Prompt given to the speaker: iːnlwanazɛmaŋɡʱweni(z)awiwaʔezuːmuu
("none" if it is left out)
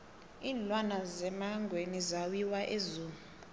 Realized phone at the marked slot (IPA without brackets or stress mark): z